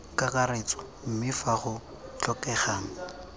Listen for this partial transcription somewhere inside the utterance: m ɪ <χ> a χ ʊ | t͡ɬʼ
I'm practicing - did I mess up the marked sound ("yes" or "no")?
yes